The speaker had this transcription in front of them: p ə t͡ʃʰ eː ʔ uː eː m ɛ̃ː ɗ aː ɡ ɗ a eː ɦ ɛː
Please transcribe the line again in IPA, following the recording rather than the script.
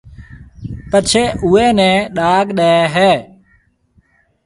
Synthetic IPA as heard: p ə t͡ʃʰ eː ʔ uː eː n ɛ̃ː ɗ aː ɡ ɗ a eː ɦ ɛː